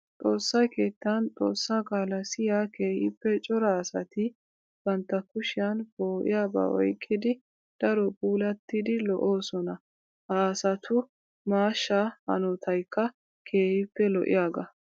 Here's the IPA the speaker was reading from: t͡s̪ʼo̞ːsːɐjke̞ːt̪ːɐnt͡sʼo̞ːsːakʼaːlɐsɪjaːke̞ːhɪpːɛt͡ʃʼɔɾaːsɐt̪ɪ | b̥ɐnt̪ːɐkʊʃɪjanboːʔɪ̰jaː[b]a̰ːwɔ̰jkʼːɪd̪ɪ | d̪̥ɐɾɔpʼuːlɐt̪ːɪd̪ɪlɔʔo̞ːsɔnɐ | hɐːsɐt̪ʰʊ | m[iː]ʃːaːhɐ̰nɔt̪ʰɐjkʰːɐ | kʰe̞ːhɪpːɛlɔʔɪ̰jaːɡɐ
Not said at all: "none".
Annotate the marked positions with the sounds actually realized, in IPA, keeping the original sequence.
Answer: b, aː

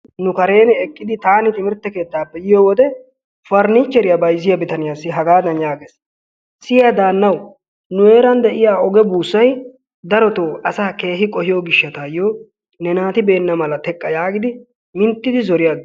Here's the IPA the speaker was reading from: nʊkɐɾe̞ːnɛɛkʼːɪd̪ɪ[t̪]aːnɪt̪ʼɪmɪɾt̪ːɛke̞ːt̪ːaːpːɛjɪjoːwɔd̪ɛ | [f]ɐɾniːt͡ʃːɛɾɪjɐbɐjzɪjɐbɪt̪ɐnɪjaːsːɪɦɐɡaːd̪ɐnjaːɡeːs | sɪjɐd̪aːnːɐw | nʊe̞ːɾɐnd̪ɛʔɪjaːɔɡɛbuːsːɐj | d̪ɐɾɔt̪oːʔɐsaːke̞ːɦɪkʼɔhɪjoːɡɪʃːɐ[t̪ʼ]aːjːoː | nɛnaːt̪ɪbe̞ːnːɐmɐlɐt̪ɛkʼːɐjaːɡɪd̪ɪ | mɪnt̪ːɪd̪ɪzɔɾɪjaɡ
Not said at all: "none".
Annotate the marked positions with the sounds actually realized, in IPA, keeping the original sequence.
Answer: t̪, f, t̪

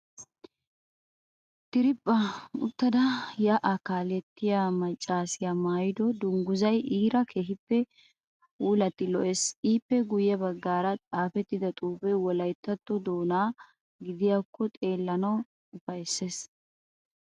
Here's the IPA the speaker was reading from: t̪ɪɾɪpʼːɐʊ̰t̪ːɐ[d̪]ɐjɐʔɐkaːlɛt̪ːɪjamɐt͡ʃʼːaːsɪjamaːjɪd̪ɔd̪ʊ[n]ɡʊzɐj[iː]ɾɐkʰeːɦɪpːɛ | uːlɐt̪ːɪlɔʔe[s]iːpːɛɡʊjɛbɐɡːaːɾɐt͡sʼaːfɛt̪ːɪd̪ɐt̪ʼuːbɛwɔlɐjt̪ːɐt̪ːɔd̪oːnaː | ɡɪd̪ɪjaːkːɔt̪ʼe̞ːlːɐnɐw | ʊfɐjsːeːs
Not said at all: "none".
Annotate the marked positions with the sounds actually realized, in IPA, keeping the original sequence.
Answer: d̪, ŋ, iː, s

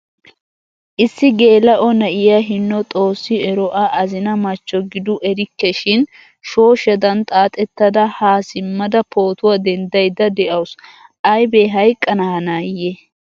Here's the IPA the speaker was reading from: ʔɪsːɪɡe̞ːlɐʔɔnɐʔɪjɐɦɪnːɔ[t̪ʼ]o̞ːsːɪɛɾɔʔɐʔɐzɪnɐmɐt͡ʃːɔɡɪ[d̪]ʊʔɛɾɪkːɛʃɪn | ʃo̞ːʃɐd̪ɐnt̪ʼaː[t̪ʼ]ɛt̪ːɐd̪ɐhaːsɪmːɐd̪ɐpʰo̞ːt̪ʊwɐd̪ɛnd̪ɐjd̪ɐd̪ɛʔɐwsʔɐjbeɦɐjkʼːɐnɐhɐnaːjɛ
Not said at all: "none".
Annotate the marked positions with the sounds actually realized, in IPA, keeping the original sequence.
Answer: t̪ʼ, d̪, t̪ʼ

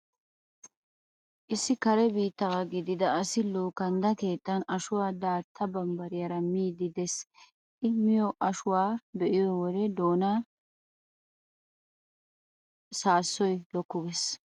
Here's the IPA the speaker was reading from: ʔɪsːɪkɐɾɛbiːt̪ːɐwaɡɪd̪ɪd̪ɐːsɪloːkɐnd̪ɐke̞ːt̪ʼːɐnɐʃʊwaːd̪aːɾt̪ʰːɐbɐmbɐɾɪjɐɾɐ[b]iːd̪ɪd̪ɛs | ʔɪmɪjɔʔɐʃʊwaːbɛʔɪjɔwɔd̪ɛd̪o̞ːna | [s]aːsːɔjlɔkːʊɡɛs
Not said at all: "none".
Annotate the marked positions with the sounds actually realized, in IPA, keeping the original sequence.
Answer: m, s

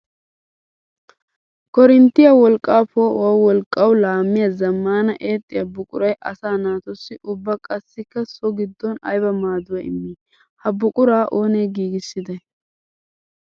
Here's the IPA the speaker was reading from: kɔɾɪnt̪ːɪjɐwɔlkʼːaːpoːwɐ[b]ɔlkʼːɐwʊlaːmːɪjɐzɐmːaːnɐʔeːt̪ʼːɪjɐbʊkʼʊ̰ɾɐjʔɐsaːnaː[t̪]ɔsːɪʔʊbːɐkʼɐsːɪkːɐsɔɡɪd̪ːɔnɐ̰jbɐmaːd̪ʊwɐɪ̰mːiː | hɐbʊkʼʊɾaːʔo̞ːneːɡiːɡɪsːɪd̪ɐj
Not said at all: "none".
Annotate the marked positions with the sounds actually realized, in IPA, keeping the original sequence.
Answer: w, t̪

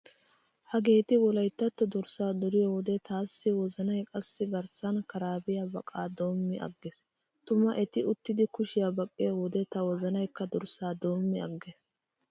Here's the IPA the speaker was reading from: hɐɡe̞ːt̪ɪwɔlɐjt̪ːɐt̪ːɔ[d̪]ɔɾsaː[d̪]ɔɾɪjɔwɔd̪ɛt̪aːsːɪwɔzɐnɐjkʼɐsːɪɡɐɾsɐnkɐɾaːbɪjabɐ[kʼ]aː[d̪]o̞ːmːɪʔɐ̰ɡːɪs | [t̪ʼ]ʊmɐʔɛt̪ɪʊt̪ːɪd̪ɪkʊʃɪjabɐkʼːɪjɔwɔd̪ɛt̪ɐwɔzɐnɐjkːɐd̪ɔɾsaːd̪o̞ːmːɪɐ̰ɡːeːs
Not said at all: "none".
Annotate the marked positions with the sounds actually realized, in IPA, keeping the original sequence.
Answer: d̪, d̪, kʼ, d̪, t̪

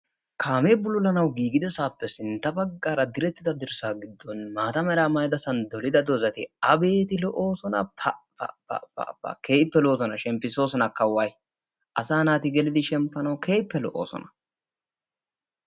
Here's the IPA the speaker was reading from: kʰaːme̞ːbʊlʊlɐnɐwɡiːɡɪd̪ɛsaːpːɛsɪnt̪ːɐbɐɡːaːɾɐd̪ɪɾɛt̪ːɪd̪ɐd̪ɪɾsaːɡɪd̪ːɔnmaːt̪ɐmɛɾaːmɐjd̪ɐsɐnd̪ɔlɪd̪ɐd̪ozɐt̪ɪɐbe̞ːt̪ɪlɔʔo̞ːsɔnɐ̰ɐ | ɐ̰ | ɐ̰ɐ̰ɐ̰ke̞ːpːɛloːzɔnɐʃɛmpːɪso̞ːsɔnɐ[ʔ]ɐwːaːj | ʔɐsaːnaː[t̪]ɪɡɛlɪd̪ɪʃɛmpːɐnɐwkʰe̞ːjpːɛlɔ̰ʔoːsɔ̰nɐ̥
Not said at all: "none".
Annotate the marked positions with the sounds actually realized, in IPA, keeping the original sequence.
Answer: k, t̪

